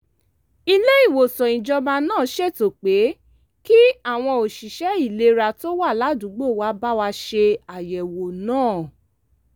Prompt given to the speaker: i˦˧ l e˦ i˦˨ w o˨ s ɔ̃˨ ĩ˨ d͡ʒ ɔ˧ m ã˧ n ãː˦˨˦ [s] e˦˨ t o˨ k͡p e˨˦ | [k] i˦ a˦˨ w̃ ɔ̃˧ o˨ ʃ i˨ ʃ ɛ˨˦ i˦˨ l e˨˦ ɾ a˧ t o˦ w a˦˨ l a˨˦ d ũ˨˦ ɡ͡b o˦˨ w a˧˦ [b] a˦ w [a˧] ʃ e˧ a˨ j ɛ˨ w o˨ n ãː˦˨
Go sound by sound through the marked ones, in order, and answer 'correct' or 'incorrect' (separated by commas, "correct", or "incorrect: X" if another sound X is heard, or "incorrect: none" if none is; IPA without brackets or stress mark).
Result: incorrect: ʃ, correct, correct, correct